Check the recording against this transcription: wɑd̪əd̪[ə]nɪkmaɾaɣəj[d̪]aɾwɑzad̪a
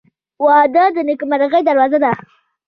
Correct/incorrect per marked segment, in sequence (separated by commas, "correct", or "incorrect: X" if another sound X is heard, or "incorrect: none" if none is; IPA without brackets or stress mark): correct, correct